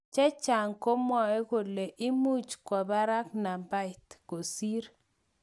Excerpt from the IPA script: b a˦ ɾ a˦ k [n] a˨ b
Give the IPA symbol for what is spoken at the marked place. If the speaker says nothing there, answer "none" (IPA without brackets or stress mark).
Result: n